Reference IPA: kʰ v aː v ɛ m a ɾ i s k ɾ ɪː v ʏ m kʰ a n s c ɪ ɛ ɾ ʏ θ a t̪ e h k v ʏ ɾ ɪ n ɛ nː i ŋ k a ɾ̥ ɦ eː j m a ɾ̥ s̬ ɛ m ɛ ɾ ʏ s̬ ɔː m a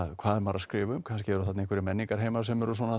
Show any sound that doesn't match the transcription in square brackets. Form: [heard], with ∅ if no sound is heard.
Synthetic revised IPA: kʰ v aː [ð] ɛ m a ɾ [a] s k ɾ ɪː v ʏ m kʰ a n s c ɪ ɛ ɾ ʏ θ a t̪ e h k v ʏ ɾ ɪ [m] ɛ nː i ŋ k a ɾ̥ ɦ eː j m a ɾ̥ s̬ ɛ m ɛ ɾ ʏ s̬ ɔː [n] a